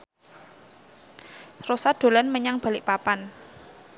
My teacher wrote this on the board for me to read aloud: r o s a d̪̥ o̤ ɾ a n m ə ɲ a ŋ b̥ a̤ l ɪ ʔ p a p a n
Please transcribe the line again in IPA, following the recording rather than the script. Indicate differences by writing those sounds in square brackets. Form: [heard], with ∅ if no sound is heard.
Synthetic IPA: r o s a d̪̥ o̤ [l] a n m ə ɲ a ŋ b̥ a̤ l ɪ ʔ p a p a n